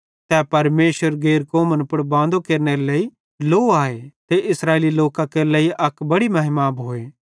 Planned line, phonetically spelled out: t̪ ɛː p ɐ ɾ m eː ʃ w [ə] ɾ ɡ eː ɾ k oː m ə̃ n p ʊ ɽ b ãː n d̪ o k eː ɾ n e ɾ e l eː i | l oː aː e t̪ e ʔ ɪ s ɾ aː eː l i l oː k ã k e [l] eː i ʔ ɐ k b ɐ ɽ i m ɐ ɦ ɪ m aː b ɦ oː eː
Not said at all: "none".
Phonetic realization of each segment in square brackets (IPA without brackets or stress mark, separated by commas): ə, l